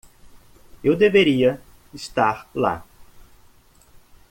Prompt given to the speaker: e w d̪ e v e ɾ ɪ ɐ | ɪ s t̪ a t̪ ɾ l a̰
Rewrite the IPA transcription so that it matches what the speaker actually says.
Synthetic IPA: e w d̪ e v e ɾ i ɐ | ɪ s t̪ a ɾ l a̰